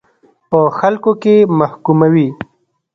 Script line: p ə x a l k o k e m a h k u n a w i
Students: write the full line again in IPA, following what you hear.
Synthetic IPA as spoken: p ə x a l k o k e m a h k u m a w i

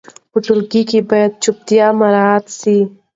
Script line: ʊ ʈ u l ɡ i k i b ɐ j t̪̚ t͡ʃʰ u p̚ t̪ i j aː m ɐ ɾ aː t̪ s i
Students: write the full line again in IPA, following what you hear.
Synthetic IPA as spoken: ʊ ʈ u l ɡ i k i b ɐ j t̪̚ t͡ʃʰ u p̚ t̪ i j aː m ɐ ɾ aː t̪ s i

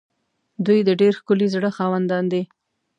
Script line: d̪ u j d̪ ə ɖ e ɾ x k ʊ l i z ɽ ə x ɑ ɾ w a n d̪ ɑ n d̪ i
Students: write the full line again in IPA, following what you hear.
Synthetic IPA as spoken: d̪ u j d̪ ə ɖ e ɾ x k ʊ l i z ɽ ə x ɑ w a n d̪ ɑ n d̪ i

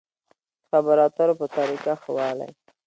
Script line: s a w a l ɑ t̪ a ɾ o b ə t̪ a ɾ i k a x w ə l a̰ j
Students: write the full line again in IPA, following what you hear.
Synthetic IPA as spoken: x a b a ɾ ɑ t̪ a ɾ o p ə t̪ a ɾ i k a x w ɑ l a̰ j

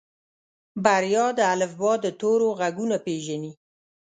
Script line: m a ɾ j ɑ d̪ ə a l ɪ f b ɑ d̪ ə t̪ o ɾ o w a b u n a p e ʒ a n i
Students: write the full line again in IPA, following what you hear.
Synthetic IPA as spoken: b a ɾ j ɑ d̪ ə a l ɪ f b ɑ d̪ ə t̪ o ɾ o ɣ a ɡ u n a p e ʒ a n i

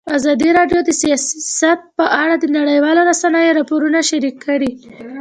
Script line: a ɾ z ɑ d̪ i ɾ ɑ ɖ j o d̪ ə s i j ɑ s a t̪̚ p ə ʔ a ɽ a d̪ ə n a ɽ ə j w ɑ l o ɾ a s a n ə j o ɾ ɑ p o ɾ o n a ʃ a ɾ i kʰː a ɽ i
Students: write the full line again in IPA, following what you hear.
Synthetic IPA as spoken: a z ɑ d̪ i ɾ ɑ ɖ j o d̪ ə s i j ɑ s a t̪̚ p ə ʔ a ɽ a d̪ ə n a ɽ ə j w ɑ l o ɾ a s a n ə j o ɾ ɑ p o ɾ u n a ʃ a ɾ i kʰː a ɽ i

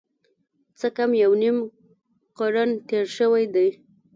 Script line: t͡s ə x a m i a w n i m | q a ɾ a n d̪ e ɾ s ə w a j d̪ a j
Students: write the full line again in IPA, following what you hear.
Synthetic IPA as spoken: t͡s ə k a m j a w n i m | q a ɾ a n t̪ e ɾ ʃ ə w a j d̪ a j

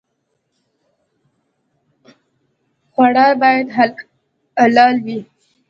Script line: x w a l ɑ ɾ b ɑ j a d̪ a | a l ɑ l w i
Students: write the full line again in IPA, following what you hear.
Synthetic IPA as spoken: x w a ɽ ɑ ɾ b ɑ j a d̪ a | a l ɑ l w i

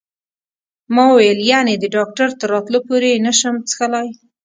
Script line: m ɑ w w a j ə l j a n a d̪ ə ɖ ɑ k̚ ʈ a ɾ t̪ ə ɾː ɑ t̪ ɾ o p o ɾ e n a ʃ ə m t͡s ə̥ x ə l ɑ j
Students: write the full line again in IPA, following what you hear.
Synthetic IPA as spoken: m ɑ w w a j ə l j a n e d̪ ə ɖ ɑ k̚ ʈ a ɾ t̪ ə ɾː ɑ t̪ l o p o ɾ e n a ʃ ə m t͡s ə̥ x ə l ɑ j

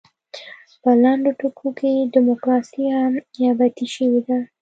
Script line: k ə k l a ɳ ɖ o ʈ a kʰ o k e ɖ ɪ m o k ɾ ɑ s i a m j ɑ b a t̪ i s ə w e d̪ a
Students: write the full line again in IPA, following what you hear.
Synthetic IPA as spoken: p ə l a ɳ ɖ o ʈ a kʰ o k e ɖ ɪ m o k ɾ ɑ s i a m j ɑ b a t̪ i ʃ ə w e d̪ a

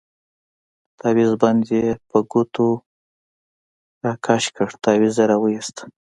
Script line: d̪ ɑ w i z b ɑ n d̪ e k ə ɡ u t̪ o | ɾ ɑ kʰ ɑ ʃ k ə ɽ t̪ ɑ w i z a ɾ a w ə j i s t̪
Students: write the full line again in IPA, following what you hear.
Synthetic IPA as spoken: t̪ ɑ w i z b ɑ n d̪ e p ə ɡ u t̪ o | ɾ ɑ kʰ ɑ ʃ k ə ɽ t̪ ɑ w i z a ɾ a w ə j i s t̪

